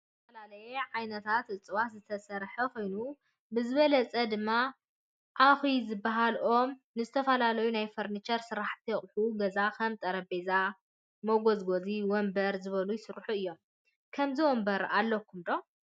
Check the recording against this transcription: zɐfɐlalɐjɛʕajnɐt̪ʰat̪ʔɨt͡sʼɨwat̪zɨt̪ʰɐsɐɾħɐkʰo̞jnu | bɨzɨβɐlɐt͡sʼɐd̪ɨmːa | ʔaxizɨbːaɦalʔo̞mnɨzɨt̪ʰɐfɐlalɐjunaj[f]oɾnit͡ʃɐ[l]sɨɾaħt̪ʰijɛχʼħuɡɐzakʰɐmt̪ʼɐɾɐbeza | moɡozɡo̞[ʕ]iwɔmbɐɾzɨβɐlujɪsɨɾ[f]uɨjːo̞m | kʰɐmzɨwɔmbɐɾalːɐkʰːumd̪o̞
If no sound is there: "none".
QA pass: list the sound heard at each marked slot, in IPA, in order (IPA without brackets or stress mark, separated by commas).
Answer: f, ɾ, z, ħ